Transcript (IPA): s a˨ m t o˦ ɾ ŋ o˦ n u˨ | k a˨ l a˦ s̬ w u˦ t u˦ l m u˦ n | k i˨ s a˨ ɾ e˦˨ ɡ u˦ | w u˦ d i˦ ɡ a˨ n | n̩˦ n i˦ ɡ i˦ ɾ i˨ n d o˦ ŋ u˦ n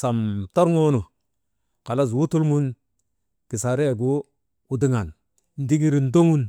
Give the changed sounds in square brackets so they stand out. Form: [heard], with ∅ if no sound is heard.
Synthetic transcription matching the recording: s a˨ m t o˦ ɾ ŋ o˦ n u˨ | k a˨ l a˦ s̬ w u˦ t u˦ l m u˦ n | k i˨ s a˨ ɾ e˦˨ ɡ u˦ | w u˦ d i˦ [ŋ] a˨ n | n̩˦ [d] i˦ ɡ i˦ ɾ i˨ n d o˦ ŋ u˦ n